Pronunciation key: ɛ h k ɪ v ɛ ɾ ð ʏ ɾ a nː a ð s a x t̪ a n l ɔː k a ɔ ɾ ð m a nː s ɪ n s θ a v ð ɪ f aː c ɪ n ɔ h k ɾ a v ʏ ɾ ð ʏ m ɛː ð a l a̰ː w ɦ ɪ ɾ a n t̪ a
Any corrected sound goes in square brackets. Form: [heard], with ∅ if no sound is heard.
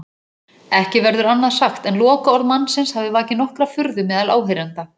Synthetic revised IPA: ɛ h [c] ɪ v ɛ ɾ ð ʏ ɾ a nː a ð s a x t̪ [ɛ] n l ɔː k a ɔ ɾ ð m a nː s ɪ n s [h] a v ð ɪ [v] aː c ɪ n ɔ h k ɾ a [f] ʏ ɾ ð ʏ m ɛː ð a l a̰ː w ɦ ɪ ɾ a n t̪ a